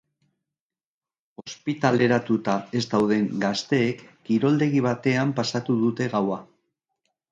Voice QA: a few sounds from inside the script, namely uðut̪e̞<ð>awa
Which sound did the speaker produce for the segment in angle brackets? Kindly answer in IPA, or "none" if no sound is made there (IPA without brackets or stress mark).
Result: ɣ